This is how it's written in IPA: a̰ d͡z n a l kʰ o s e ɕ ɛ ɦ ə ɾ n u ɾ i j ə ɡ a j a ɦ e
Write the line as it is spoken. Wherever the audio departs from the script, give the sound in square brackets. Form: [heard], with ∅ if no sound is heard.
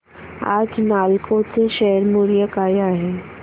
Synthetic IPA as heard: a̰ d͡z n a l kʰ o [t͡s] e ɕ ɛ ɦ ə ɾ [m] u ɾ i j ə [k] a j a ɦ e